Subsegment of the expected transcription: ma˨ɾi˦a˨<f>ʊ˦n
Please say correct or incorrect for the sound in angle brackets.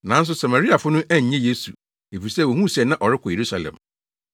correct